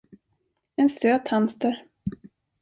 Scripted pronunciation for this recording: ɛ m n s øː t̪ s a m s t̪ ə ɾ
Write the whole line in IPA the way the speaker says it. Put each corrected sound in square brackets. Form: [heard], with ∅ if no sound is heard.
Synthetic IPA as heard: ɛ [∅] n s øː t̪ [h] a m s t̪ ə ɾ